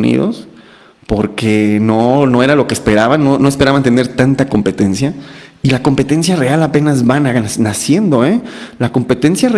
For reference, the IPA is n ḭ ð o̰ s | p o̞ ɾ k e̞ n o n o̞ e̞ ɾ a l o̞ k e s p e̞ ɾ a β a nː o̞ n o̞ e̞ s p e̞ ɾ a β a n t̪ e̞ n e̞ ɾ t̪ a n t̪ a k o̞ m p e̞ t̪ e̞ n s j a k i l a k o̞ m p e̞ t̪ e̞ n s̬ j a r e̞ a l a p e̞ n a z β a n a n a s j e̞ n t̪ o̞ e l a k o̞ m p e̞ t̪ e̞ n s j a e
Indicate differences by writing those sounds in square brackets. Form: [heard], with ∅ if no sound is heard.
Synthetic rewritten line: n ḭ ð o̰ s | p o̞ ɾ k e̞ n o n o̞ e̞ ɾ a l o̞ k e s p e̞ ɾ a β a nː o̞ n o̞ e̞ s p e̞ ɾ a β a n t̪ e̞ n e̞ ɾ t̪ a n t̪ a k o̞ m p e̞ t̪ e̞ n s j a [∅] i l a k o̞ m p e̞ t̪ e̞ n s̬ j a r e̞ a l a p e̞ n a z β a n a n a s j e̞ n [d̪] o̞ e l a k o̞ m p e̞ t̪ e̞ n s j a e

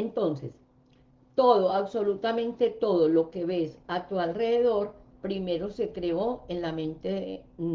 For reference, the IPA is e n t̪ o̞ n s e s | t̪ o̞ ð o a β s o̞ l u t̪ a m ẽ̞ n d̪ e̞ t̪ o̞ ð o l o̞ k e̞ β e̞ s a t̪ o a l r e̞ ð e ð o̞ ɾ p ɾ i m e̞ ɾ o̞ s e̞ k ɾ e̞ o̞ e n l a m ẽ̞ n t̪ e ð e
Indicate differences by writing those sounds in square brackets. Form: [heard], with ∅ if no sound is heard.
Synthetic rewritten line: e n t̪ o̞ n s e s | t̪ o̞ ð o a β s o̞ l u t̪ a m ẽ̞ n [t̪] e̞ t̪ o̞ ð o l o̞ k e̞ β e̞ s a t̪ [u] a l r e̞ ð e ð o̞ ɾ p ɾ i m e̞ ɾ o̞ s e̞ k ɾ e̞ o̞ e n l a m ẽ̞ n t̪ e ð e

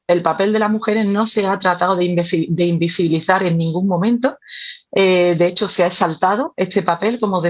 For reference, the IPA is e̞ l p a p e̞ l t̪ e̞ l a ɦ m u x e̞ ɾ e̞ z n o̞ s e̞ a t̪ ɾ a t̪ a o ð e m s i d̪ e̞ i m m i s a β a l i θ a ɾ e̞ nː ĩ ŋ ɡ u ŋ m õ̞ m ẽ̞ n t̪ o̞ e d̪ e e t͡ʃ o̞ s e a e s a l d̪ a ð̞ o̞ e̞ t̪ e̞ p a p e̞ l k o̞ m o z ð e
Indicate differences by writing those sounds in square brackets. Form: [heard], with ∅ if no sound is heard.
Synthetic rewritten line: e̞ l p a p e̞ l [d̪] e̞ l a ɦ m u x e̞ ɾ e̞ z n o̞ s e̞ a t̪ ɾ a t̪ a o ð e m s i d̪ e̞ i m [b] i s [i] β [i] l i θ a ɾ e̞ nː ĩ ŋ ɡ u ŋ m õ̞ m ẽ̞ n t̪ o̞ e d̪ e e t͡ʃ o̞ s e a e s a l [t̪] a ð̞ o̞ e̞ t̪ e̞ p a p e̞ l k o̞ m o [∅] ð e

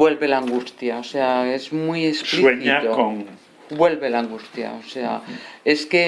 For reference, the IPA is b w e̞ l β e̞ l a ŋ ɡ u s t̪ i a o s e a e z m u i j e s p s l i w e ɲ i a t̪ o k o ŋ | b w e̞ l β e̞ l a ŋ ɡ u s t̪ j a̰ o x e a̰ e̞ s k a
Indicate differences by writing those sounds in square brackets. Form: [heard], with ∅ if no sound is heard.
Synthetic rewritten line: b w e̞ l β e̞ l a ŋ ɡ u s t̪ [j] a o s e a e z m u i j e s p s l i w e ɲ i a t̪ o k o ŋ | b w e̞ l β e̞ l a ŋ ɡ u s t̪ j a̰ o [s] e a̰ e̞ s k [e]

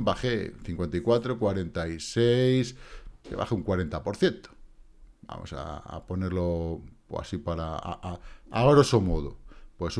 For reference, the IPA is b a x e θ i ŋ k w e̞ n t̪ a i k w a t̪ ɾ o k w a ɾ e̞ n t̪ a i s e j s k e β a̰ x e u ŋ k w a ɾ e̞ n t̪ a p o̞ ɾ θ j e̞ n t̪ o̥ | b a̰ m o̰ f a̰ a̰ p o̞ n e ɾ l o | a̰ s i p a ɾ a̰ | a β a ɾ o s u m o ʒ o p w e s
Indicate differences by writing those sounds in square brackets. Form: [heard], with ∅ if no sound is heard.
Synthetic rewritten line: b a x e θ i ŋ k w e̞ n t̪ a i k w a t̪ ɾ o k w a ɾ e̞ n t̪ a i s e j s k e β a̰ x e u ŋ k w a ɾ e̞ n t̪ a p o̞ ɾ θ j e̞ n t̪ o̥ | b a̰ m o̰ [s] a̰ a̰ p o̞ n e ɾ l o | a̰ s i p a ɾ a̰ | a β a ɾ o s [o] m o [ð] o p w e s

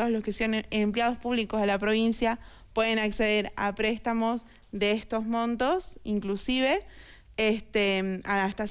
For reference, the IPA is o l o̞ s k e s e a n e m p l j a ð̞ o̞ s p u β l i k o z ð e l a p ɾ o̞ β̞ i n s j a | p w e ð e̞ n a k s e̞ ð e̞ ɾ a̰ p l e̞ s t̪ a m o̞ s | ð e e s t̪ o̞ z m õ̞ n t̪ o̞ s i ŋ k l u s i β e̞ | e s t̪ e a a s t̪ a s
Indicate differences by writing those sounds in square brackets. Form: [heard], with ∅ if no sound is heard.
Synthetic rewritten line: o l o̞ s k e s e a n e m p l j a ð̞ o̞ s p u β l i k o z ð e l a p ɾ o̞ β̞ i n s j a | p w e ð e̞ n a k s e̞ ð e̞ ɾ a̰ p [ɾ] e̞ s t̪ a m o̞ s | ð e e s t̪ o̞ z m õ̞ n t̪ o̞ s i ŋ k l u s i β e̞ | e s t̪ e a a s t̪ a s

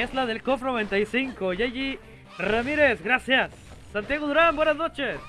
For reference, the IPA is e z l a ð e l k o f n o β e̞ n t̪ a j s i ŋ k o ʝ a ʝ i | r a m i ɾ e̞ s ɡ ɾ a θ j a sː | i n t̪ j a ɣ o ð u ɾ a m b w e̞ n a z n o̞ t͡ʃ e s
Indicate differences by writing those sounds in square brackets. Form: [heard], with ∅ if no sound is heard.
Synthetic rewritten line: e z l a ð e l k o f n o β e̞ n t̪ a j s i ŋ k o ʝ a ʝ i | r a m i ɾ e̞ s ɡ ɾ a [s] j a sː | [a] n t̪ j a ɣ o ð u ɾ a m b w e̞ n a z n o̞ t͡ʃ e s

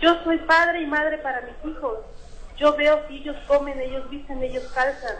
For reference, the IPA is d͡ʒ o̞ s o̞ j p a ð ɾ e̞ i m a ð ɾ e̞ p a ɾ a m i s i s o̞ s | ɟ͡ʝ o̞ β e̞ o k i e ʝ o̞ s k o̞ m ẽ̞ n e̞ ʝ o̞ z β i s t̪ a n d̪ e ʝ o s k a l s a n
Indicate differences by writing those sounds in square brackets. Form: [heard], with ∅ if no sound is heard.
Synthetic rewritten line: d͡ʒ o̞ s o̞ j p a ð ɾ e̞ i m a ð ɾ e̞ p a ɾ a m i s i [x] o̞ s | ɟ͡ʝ o̞ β e̞ o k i e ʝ o̞ s k o̞ m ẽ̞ n e̞ ʝ o̞ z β i s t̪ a n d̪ e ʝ o s k a l s a n

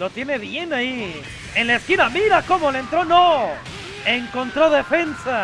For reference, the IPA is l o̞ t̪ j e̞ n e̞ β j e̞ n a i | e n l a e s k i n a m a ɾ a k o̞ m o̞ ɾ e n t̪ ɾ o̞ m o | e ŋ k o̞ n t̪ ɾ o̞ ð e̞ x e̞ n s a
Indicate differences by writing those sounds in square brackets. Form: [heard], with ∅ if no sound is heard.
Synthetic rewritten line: l o̞ t̪ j e̞ n e̞ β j e̞ n a i | e n l a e s k i n a m [i] ɾ a k o̞ m o̞ [l] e n t̪ ɾ o̞ [n] o | e ŋ k o̞ n t̪ ɾ o̞ ð e̞ [f] e̞ n s a

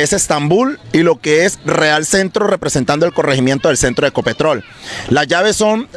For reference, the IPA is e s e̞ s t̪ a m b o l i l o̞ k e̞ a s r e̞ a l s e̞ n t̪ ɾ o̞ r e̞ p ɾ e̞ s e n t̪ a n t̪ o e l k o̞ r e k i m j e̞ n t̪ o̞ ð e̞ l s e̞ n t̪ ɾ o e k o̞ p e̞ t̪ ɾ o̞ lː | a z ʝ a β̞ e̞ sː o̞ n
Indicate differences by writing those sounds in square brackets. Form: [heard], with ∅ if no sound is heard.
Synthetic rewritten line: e s e̞ s t̪ a m b [u] l i l o̞ k e̞ [e] s r e̞ a l s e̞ n t̪ ɾ o̞ r e̞ p ɾ e̞ s e n t̪ a n [d̪] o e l k o̞ r e [x] i m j e̞ n t̪ o̞ ð e̞ l s e̞ n t̪ ɾ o e k o̞ p e̞ t̪ ɾ o̞ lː | a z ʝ a β̞ e̞ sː o̞ n

